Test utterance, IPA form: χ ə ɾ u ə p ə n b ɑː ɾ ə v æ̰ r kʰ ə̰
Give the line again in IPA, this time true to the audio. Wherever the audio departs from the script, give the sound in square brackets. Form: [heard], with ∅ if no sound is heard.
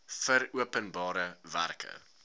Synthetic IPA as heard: [f] ə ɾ u ə p ə n b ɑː ɾ ə v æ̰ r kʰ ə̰